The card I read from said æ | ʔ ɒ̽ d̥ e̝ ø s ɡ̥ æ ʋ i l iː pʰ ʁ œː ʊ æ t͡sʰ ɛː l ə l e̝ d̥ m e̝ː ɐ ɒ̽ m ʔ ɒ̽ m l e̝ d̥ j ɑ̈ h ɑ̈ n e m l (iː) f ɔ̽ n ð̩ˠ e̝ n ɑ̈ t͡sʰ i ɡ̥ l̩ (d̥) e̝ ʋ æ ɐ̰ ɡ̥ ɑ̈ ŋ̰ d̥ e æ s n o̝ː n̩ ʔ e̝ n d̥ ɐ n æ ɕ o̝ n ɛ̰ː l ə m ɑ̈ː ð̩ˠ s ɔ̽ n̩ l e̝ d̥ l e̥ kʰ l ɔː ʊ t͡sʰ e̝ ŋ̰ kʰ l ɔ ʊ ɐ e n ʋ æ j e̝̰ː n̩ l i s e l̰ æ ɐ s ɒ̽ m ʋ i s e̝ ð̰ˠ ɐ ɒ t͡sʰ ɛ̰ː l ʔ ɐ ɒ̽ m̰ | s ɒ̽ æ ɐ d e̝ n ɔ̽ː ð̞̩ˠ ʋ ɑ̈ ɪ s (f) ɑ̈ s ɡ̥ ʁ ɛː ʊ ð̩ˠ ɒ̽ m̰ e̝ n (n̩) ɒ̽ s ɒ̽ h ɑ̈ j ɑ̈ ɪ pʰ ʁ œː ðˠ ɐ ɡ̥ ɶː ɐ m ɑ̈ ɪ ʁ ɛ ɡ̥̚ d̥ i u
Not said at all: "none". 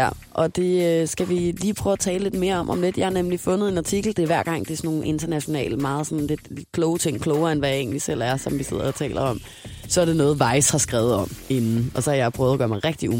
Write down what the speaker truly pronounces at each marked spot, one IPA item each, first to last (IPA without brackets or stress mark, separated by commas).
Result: i, d̥, h, n̩